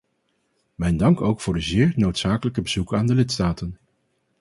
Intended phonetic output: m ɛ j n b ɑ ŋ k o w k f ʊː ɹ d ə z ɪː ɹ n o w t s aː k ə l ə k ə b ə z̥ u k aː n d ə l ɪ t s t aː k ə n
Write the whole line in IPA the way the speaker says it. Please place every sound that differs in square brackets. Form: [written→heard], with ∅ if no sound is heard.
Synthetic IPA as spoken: m ɛ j n [b→d] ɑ ŋ k o w k f ʊː ɹ d ə z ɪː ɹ n o w t s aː k ə l ə k ə b ə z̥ u k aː n d ə l ɪ t s t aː [k→t] ə n